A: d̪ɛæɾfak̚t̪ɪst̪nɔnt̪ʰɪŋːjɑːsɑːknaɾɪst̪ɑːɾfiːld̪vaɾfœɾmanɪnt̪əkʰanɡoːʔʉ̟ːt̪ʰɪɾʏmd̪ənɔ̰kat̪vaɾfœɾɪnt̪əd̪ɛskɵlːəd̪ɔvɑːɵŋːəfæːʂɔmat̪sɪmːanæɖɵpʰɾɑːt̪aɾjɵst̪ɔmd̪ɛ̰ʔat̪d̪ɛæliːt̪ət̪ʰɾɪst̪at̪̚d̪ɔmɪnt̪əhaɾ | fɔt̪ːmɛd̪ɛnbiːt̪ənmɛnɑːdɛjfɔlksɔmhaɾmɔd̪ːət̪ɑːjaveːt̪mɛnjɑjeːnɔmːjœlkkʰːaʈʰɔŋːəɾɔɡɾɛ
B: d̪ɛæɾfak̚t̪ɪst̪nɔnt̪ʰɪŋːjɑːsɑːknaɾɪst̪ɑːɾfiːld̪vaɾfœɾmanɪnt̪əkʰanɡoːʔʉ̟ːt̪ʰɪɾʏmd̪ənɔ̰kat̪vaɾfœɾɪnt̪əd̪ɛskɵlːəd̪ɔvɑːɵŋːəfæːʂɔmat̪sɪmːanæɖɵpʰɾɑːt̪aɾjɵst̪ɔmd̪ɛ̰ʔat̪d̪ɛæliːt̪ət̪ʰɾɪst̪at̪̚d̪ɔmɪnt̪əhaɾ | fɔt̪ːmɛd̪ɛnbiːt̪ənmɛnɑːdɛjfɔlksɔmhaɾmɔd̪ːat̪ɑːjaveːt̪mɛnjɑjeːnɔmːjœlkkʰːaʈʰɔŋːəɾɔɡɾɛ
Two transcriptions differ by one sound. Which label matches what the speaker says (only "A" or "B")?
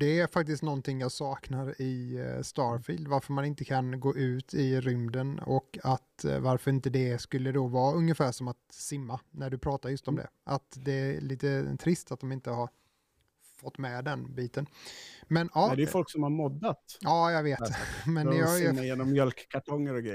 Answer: B